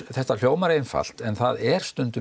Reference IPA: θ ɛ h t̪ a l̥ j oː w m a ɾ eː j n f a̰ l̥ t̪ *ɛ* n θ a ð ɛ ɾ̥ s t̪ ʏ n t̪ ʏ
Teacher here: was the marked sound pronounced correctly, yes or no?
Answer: yes